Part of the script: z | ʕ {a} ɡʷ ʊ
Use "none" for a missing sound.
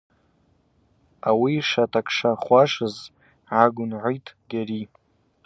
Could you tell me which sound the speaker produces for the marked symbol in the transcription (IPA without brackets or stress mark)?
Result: a